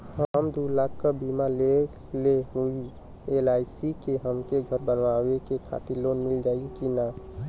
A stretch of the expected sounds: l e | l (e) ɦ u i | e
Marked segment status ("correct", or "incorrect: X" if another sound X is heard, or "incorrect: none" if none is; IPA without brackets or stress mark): correct